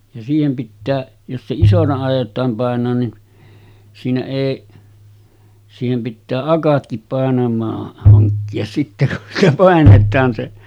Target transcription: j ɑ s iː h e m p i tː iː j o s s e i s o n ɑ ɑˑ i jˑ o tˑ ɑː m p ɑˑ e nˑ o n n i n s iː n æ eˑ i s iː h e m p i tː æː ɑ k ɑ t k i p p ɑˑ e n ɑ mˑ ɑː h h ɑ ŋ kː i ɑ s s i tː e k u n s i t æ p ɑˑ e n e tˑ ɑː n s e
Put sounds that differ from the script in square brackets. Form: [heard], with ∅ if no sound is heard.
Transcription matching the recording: j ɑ s iː h e m p i tː [æː] j o s s e i s o n ɑ ɑˑ i jˑ o tˑ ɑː m p ɑˑ e nˑ [oː] n n i n s iː n æ eˑ i s iː h e m p i tː æː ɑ k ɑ t k i p p ɑˑ e n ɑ mˑ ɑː h h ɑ ŋ kː i ɑ s s i tː e k u n s i t æ p ɑˑ e n e tˑ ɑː n s e